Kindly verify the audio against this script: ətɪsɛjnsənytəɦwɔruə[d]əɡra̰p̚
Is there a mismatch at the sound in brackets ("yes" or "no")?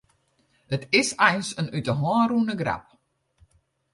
yes